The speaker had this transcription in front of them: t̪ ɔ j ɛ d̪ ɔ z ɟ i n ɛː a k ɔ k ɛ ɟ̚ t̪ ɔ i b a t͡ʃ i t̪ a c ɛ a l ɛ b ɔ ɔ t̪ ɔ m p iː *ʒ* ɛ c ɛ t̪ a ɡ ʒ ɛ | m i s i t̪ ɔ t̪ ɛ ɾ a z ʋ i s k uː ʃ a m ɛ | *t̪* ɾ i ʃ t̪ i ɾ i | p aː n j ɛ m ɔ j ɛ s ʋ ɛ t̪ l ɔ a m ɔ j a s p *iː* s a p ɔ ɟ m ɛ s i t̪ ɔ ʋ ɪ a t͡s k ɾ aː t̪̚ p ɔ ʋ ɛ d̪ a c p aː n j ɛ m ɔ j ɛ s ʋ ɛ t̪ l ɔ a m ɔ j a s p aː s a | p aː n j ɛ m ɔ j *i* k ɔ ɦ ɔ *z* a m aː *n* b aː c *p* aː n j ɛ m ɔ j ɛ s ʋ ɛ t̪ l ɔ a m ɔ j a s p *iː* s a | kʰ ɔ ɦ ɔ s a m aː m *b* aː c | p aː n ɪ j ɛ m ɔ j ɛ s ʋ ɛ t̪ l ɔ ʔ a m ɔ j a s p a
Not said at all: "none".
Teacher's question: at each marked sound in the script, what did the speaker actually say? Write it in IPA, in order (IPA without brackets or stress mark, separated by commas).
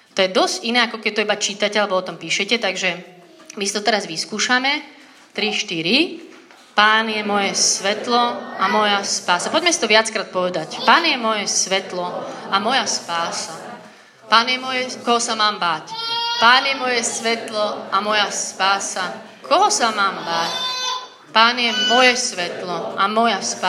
ʃ, t̪, aː, ɛ, s, m, p, aː, b